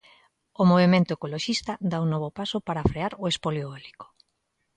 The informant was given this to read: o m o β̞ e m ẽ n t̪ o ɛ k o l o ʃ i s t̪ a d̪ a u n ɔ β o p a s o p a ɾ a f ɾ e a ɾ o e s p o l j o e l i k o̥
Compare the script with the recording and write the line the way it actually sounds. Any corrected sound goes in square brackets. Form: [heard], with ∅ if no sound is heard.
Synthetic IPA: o m o β̞ e m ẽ n t̪ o [e] k o l o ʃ i s t̪ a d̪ a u n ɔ β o p a s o p a ɾ a f ɾ e a ɾ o e s p o l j o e l i k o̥

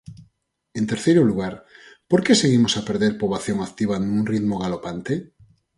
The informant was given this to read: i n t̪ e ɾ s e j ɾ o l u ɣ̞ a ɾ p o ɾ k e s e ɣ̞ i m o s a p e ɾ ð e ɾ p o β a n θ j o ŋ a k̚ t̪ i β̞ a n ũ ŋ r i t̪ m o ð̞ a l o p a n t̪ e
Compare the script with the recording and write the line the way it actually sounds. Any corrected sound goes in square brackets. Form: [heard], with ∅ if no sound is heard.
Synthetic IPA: [e] n t̪ e ɾ [θ] e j ɾ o l u ɣ̞ a ɾ p o ɾ k e s e ɣ̞ i m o s a p e ɾ ð e ɾ p o β a [∅] θ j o ŋ a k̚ t̪ i β̞ a n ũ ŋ r i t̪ m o [ɣ̞] a l o p a n t̪ e

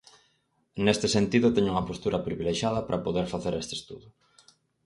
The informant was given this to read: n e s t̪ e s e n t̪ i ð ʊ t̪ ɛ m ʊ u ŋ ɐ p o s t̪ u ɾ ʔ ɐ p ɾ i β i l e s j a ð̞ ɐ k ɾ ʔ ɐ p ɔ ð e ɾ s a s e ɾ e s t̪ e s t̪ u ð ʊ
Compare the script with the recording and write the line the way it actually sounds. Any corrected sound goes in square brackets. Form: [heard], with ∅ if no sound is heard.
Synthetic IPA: n e s t̪ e s e n t̪ i ð ʊ t̪ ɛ [ɲ] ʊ u ŋ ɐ p o s t̪ u ɾ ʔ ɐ p ɾ i β i l e [ʃ] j a ð̞ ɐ [p] ɾ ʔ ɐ p [o] ð e ɾ [f] a [θ] e ɾ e s t̪ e s t̪ u ð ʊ

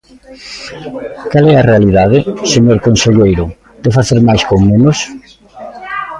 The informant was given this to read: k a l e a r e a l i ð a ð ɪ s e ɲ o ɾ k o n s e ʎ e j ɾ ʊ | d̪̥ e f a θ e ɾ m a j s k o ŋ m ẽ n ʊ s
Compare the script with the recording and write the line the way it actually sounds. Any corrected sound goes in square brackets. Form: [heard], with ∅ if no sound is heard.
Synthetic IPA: k a l [ɛ] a r e a l i ð a ð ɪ s e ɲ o ɾ k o n s e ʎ e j ɾ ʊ | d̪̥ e f a θ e ɾ m a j s k o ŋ m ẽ n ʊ s

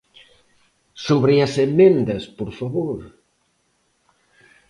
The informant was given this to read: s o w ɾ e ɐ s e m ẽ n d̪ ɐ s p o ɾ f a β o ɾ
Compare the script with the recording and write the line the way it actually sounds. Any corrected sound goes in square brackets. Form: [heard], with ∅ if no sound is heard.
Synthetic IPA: s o [β] ɾ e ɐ s e m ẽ n d̪ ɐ s p o ɾ f a β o ɾ

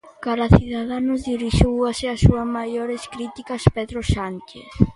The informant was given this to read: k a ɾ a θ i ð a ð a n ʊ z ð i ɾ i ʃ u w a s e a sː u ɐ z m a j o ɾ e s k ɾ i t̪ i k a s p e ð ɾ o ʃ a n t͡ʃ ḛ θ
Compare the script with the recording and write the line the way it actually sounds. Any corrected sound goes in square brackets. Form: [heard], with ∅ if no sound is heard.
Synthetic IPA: k a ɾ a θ i ð a ð a n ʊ z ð i ɾ i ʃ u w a s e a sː u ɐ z m a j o ɾ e s k ɾ i t̪ i k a s p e ð ɾ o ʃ a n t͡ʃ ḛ θ

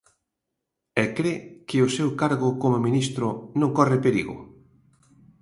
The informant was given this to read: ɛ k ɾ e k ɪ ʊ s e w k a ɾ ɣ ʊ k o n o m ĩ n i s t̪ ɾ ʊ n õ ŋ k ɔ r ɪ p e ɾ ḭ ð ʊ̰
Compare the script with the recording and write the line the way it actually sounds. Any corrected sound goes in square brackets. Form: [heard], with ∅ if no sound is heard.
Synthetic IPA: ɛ k ɾ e k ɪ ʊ s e w k a ɾ ɣ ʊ k o [m] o m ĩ n i s t̪ ɾ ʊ n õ ŋ k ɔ r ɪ p e ɾ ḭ [ɣ] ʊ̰

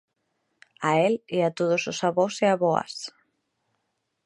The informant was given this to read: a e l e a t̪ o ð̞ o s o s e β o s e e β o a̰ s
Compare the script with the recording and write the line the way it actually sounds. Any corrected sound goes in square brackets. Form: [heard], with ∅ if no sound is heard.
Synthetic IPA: a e l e a t̪ o ð̞ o s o s [a] β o s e [a] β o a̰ s

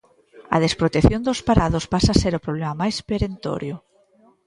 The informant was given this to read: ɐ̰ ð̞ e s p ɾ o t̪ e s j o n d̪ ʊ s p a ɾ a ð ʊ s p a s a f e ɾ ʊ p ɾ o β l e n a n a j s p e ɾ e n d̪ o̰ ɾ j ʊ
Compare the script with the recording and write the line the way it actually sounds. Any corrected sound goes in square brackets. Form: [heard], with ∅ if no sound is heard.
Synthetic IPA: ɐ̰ ð̞ e s p ɾ o t̪ e [θ] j o n d̪ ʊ s p a ɾ a ð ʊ s p a s a [s] e ɾ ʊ p ɾ o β l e [m] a [m] a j s p e ɾ e n [t̪] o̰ ɾ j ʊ

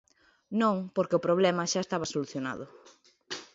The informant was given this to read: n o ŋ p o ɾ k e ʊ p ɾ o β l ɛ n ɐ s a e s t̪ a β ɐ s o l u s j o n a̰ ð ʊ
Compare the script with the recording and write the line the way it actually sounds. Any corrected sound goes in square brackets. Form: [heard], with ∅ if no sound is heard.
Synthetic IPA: n [õ] ŋ p o ɾ k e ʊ p ɾ o β l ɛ [m] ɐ [ʃ] a e s t̪ a β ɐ s o l u [θ] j o n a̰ ð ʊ

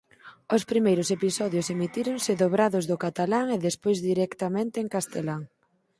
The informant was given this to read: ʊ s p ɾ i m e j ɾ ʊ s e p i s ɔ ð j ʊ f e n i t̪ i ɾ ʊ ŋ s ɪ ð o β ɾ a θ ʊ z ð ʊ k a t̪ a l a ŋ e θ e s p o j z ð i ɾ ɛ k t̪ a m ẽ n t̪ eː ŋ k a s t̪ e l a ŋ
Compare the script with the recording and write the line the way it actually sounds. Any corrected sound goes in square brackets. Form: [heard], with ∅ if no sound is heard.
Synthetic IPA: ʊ s p ɾ i m e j ɾ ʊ s e p i s ɔ ð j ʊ [s] e [m] i t̪ i ɾ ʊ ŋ s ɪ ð o β ɾ a [ð] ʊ z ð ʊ k a t̪ a l a ŋ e [ð] e s p o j z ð i ɾ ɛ k t̪ a m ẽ n t̪ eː ŋ k a s t̪ e l a ŋ

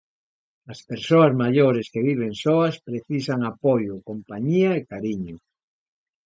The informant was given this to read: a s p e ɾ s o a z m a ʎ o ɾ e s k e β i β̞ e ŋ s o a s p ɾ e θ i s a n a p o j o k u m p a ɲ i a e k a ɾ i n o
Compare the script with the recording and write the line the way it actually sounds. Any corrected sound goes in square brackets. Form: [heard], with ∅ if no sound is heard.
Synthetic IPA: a s p e ɾ s o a z m a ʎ o ɾ e s k e β i β̞ e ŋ s o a s p ɾ e θ i s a [ŋ] a p o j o k [o] m p a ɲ i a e k a ɾ i [ɲ] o

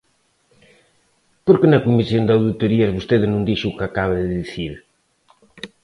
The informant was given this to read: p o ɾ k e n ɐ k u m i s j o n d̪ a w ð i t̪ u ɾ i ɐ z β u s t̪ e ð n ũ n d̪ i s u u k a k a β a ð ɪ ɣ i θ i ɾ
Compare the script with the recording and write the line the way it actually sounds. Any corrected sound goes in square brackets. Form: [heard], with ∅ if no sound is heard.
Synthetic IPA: p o ɾ k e n ɐ k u m i s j o n d̪ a w ð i t̪ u ɾ i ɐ z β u s t̪ e ð n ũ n d̪ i [ʃ] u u k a k a β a ð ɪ [ð] i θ i ɾ

